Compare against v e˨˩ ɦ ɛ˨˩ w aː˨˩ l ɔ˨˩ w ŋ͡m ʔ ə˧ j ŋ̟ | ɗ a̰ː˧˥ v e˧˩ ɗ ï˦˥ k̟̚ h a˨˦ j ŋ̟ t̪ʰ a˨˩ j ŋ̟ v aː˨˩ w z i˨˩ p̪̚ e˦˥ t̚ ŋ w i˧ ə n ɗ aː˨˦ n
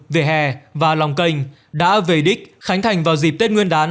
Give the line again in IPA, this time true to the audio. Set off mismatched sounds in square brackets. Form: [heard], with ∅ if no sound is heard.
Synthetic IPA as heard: v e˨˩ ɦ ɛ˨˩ [v] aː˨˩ l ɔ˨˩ w ŋ͡m [k] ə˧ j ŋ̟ | ɗ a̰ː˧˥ v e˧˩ ɗ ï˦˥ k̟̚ [x] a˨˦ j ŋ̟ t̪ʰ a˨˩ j ŋ̟ v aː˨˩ w z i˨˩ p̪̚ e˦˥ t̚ ŋ w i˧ ə n ɗ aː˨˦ n

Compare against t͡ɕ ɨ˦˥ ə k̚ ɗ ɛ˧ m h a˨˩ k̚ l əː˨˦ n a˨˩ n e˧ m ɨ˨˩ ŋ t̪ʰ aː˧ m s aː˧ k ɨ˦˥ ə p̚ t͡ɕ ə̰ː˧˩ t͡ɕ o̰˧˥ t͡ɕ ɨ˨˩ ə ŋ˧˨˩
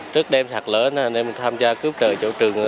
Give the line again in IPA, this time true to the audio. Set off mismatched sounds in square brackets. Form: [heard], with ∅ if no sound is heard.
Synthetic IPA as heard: t͡ɕ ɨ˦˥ ə k̚ ɗ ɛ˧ m [s] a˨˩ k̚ l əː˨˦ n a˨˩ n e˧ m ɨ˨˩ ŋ t̪ʰ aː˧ m [z] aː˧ k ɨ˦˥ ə p̚ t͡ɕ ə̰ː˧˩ t͡ɕ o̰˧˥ t͡ɕ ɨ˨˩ ə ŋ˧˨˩

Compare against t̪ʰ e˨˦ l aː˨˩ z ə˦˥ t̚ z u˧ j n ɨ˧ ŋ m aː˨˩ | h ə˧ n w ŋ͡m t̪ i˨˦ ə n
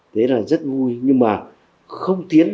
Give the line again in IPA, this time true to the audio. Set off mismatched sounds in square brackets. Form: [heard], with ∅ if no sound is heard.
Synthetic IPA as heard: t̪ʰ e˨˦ l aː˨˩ z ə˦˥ t̚ [v] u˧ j [ɲ] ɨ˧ ŋ m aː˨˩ | [x] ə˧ [∅] w ŋ͡m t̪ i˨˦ ə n

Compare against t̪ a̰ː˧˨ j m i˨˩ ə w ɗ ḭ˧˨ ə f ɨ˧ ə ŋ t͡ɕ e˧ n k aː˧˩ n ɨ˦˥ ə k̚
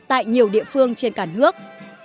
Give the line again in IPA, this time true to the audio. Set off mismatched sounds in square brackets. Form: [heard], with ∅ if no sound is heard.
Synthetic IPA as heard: t̪ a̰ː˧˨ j [ɲ] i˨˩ ə w ɗ ḭ˧˨ ə f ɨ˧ ə ŋ t͡ɕ e˧ n k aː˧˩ n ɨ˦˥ ə k̚

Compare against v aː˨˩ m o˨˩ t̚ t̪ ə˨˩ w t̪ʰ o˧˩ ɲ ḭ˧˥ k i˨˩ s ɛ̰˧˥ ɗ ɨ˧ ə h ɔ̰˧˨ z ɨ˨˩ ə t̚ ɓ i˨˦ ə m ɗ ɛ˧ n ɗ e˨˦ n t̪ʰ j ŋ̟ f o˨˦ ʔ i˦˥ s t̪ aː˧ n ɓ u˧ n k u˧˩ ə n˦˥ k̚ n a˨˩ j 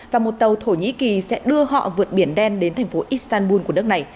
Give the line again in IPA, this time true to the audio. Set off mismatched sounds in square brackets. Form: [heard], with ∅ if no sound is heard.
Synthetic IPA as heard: v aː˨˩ m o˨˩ t̚ t̪ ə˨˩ w t̪ʰ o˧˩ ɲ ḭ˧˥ k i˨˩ s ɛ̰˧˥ ɗ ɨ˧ ə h ɔ̰˧˨ [v] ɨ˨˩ ə t̚ ɓ [i˧˩] ə [n] ɗ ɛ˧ n ɗ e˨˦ n t̪ʰ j ŋ̟ f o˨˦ ʔ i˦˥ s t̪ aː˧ n ɓ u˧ n k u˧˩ ə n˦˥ k̚ n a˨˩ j

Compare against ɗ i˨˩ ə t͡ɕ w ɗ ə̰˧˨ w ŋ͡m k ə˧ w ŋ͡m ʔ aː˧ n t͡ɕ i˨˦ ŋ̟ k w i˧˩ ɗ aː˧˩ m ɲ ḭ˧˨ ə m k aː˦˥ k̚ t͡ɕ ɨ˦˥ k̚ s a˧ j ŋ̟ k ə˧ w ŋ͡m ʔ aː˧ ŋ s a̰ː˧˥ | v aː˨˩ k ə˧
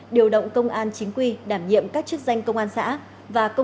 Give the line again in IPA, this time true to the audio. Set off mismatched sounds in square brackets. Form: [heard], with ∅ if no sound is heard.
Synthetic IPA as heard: ɗ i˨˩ ə [∅] w ɗ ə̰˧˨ w ŋ͡m k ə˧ w ŋ͡m ʔ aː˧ n t͡ɕ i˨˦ ŋ̟ k w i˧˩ ɗ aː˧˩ m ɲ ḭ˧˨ ə m k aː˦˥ k̚ t͡ɕ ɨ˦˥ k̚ [z] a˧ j ŋ̟ k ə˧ w ŋ͡m ʔ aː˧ [n] s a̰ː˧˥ | v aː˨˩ k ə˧

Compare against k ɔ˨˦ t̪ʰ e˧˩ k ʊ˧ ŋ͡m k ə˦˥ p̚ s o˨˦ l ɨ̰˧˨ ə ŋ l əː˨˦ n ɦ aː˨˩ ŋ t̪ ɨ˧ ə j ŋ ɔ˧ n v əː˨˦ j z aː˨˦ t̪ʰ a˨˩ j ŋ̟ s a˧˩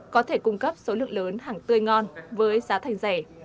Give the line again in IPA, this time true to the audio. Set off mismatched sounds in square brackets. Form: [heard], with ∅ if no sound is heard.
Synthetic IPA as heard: k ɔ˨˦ t̪ʰ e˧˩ k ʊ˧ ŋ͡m k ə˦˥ p̚ s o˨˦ l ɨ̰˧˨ ə ŋ l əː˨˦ n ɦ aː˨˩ ŋ t̪ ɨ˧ ə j ŋ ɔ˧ n v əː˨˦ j z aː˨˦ t̪ʰ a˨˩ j ŋ̟ [z] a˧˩

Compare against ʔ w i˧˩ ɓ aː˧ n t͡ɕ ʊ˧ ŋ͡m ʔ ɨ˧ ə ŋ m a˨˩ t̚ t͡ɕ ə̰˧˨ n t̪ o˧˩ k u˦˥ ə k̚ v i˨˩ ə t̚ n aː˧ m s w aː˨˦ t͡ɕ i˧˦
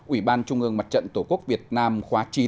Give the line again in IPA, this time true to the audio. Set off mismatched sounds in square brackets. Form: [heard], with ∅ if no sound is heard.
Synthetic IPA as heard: ʔ w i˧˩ ɓ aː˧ n t͡ɕ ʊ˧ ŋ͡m ʔ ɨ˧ ə ŋ m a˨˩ t̚ t͡ɕ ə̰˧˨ n t̪ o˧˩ k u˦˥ ə k̚ v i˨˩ ə t̚ n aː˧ m [x] w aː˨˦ t͡ɕ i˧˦

